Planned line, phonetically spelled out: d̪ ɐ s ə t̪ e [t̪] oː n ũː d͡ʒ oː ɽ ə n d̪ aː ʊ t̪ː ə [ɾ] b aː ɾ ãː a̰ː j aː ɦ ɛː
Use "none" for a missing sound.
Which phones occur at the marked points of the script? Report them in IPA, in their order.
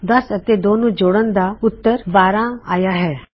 d̪, ɾ

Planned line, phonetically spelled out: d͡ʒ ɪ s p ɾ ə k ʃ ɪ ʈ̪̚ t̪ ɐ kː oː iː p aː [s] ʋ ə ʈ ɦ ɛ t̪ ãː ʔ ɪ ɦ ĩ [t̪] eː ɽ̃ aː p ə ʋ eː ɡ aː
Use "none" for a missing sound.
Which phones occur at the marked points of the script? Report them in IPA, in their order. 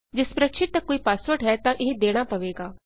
s, d̪

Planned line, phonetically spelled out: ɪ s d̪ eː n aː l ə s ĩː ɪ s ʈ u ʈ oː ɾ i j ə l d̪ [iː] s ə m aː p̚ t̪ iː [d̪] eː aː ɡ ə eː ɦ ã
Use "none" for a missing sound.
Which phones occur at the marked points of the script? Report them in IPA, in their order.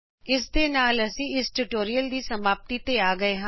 iː, t̪

